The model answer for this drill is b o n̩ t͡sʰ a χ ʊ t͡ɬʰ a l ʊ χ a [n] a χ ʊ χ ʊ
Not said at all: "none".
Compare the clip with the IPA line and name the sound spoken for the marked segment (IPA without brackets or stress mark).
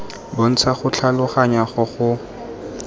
ɲ